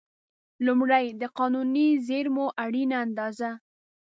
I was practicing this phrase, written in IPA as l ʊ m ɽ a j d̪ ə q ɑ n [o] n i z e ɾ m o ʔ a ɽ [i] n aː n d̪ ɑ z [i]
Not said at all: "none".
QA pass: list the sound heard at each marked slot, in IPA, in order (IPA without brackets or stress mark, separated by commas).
u, i, a